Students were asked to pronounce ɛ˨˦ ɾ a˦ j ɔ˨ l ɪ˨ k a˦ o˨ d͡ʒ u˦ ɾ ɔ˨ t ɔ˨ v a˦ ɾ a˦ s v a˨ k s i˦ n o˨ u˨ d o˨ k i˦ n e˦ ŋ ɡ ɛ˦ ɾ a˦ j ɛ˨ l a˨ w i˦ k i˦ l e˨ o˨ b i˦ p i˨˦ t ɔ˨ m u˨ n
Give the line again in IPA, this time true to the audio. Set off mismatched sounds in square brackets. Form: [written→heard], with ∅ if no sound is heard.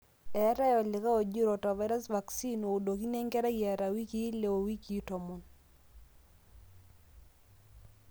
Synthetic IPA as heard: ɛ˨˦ ɾ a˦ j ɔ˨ l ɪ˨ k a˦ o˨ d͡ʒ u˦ ɾ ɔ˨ t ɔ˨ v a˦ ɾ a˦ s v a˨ k s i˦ n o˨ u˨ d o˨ k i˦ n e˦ ŋ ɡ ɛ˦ ɾ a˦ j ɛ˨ [l→ɾ] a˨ w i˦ k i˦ l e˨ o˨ [b→w] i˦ [p→k] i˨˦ t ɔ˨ m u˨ n

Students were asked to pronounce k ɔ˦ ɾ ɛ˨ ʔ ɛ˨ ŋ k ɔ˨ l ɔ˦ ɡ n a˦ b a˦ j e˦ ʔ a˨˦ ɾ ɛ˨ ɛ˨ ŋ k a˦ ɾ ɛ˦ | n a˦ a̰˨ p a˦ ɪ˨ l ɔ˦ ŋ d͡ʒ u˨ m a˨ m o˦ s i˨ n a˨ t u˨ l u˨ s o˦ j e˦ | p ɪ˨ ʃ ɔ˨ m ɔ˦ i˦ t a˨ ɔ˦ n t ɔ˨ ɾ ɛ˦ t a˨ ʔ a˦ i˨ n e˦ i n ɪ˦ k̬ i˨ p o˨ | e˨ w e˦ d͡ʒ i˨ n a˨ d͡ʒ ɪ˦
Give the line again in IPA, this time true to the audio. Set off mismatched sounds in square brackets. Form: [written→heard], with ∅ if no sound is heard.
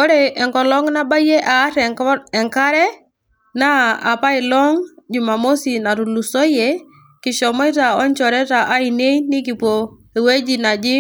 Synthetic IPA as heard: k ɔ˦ ɾ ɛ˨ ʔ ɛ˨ ŋ k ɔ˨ l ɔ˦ [ɡ→ŋ] n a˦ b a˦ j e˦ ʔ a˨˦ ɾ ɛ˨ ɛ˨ ŋ k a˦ ɾ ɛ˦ | n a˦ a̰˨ p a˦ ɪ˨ l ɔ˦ ŋ d͡ʒ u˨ m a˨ m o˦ s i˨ n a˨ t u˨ l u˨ s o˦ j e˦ | [p→k] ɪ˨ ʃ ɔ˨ m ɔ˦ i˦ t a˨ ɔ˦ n [t→t͡ʃ] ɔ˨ ɾ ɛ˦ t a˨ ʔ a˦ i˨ n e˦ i n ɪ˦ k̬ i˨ p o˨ | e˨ w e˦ d͡ʒ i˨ n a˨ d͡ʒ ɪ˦

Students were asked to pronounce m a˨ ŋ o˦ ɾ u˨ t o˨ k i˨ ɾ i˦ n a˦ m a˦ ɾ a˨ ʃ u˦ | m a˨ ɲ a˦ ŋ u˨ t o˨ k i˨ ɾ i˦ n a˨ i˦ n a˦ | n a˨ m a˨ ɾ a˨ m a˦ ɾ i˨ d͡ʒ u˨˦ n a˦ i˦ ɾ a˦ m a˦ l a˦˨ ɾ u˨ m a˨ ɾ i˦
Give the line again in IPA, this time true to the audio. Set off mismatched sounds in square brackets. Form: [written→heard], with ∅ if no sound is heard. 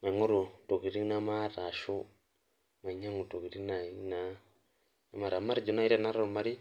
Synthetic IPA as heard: m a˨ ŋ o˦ ɾ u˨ t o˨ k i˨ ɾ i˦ n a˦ m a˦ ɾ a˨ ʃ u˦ | m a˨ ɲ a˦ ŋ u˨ t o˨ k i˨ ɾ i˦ n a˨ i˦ n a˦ | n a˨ m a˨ ɾ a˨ m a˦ ɾ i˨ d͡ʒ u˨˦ n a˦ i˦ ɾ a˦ [m→n] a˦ [l→ɾ] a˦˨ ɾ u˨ m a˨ ɾ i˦

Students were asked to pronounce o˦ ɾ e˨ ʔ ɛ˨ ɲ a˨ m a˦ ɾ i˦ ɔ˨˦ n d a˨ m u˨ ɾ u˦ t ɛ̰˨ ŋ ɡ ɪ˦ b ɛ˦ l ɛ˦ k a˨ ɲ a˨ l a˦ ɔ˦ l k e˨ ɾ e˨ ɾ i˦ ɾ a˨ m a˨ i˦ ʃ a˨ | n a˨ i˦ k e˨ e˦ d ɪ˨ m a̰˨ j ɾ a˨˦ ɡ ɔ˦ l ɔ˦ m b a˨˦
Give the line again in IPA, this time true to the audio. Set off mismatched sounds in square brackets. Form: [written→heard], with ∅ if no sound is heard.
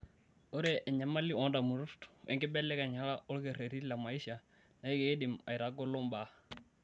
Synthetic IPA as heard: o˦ ɾ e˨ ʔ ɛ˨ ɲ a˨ m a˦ [ɾ→l] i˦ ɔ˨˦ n d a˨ m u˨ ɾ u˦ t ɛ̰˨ ŋ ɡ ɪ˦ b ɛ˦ l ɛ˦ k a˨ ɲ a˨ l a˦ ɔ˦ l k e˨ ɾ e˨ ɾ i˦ [ɾ→l] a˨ m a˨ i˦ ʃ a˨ | n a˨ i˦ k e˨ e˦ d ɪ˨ m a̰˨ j ɾ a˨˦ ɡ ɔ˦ l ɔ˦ m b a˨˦

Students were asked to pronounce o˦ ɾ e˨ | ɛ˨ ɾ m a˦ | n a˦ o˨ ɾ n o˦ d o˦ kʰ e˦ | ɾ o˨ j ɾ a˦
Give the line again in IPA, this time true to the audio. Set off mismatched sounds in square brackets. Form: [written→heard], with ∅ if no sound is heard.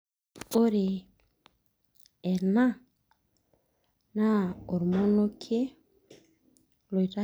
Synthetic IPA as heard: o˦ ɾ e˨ | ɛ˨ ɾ [m→n] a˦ | n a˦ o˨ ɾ [n→m] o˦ [d→n] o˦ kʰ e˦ | [ɾ→l] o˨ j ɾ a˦

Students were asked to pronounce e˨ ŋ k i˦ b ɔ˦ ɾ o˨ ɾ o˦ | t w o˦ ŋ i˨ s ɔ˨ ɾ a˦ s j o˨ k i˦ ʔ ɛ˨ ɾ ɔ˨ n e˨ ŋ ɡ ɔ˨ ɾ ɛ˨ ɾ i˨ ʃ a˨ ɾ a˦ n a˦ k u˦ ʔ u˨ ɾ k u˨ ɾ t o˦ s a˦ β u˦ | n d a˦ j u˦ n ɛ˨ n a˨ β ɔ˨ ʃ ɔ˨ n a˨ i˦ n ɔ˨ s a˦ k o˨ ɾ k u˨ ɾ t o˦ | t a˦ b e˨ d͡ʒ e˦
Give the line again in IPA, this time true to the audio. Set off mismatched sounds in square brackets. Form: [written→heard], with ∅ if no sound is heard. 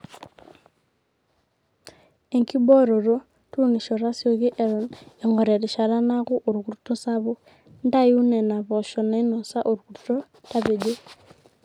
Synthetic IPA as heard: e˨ ŋ k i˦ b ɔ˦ ɾ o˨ ɾ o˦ | t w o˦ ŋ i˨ [s→ʃ] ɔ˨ ɾ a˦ s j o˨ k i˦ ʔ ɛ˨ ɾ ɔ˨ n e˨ ŋ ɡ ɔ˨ ɾ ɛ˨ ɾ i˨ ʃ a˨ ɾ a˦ n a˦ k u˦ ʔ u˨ ɾ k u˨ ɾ t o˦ s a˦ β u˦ | n d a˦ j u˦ n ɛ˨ n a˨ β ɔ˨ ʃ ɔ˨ n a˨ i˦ n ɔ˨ s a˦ [k→ʔ] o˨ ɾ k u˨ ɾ t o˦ | t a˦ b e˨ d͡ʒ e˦

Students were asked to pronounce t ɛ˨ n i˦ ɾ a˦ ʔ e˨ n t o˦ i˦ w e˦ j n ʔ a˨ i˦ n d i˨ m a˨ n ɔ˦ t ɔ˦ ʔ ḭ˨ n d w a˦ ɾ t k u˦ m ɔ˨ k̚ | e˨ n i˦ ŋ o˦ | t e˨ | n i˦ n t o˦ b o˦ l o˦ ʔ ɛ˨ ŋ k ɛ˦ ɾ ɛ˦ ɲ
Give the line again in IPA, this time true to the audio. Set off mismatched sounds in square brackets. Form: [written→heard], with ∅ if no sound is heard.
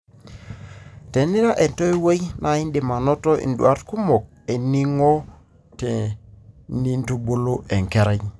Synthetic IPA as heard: t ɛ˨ n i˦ ɾ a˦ ʔ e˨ n t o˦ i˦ w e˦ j n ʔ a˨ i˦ n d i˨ m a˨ n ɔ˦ t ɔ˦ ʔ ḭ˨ n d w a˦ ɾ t k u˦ m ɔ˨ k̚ | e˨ n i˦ ŋ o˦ | t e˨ | n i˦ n t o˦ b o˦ l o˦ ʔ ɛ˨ ŋ k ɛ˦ ɾ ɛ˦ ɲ

